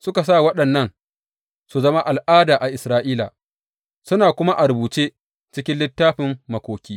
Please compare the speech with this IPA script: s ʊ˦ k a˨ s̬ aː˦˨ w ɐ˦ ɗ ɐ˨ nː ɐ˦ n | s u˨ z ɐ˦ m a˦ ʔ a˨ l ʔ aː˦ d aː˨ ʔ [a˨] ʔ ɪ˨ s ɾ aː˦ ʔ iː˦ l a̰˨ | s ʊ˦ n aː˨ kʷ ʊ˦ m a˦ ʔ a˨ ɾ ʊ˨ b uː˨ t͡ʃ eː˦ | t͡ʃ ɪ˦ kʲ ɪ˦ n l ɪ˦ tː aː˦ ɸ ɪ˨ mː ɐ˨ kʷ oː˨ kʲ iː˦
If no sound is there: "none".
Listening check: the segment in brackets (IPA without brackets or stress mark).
a˨